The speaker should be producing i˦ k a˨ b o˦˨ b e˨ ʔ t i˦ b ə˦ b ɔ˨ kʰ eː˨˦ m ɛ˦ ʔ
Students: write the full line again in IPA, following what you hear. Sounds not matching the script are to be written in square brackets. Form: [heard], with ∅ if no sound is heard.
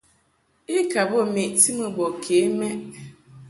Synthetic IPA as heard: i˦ k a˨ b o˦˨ [m] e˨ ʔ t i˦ [m] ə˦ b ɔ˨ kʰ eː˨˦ m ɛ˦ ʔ